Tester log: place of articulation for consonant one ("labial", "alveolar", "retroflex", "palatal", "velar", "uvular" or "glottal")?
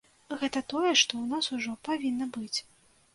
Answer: velar